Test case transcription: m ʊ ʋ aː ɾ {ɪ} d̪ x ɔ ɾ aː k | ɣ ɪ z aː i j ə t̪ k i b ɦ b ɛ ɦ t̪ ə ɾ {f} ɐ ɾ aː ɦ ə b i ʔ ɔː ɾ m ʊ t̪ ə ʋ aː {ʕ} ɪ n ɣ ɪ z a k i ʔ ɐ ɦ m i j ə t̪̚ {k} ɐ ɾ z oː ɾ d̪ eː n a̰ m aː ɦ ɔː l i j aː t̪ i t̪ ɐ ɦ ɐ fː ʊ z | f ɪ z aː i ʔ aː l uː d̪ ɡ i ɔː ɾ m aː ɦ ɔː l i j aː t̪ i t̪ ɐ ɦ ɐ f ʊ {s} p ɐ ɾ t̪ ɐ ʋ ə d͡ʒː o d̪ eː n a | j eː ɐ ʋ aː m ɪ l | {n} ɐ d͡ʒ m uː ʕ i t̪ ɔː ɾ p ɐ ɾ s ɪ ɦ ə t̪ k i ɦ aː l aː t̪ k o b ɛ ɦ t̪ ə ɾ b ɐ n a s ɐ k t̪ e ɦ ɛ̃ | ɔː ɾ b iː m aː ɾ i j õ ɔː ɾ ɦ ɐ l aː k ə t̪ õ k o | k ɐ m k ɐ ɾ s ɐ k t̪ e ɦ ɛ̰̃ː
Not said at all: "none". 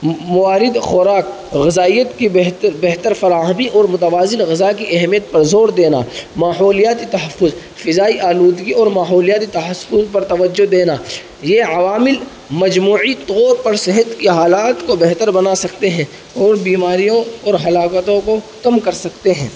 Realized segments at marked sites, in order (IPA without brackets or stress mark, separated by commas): ɪ, f, z, p, z, m